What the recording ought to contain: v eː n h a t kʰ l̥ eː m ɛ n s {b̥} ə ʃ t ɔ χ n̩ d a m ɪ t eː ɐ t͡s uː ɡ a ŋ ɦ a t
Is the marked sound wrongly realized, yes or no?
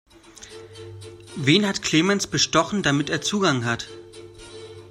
no